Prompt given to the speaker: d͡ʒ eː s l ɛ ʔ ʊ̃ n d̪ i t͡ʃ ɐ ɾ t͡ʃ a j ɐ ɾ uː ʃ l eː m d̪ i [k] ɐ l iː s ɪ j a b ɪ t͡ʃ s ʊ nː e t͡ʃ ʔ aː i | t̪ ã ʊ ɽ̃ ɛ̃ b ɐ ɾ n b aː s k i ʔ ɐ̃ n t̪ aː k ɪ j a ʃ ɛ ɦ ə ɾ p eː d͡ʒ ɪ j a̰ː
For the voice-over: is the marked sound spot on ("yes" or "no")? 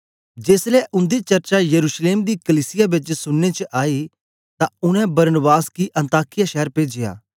yes